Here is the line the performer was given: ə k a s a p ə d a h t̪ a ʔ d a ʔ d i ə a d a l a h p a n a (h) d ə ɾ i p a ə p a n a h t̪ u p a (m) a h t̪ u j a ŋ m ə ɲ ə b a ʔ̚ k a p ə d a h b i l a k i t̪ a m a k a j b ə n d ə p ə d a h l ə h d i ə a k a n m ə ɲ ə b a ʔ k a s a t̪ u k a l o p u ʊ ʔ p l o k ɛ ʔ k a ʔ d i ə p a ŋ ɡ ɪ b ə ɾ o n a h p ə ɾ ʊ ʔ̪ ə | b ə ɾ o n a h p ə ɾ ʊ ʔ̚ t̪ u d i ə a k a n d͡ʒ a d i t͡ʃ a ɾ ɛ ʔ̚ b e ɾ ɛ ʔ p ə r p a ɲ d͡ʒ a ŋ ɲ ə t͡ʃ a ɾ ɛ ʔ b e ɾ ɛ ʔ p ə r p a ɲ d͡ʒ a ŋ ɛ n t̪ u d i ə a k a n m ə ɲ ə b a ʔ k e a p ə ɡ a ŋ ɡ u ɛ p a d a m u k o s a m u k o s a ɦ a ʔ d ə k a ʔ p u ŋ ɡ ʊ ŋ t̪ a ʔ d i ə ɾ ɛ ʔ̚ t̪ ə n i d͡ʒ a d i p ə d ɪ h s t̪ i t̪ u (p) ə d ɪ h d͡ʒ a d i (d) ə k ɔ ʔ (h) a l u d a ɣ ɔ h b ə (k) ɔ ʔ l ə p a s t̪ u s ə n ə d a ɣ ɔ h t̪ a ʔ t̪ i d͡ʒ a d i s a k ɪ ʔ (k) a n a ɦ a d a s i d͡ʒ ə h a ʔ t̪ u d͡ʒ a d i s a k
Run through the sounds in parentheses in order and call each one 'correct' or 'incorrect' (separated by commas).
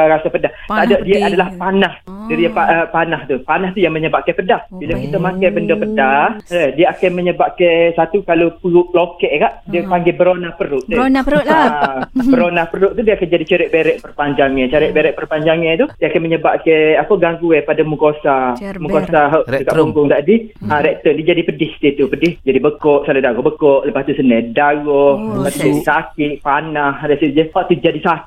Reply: correct, incorrect, correct, incorrect, incorrect, correct, incorrect